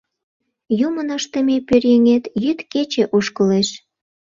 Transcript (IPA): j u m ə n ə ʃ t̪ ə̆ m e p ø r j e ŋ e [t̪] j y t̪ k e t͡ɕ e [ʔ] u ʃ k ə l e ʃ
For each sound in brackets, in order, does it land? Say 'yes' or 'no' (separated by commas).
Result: yes, yes